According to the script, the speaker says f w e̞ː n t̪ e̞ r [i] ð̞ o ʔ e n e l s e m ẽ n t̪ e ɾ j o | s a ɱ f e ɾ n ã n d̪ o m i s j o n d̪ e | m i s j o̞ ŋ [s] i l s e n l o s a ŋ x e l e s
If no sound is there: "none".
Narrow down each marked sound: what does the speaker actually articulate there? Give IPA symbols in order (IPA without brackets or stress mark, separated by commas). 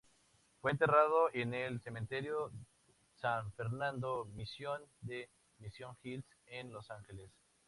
a, x